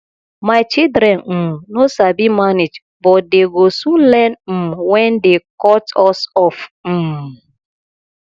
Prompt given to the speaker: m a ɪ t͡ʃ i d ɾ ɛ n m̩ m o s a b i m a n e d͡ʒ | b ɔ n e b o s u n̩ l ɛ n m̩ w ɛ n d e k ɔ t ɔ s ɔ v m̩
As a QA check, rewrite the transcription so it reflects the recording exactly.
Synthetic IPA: m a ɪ t͡ʃ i d ɾ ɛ n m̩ n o s a b i m a n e d͡ʒ | b ɔ d e ɡ o s u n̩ l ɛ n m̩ w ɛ n d e k ɔ t ɔ s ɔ f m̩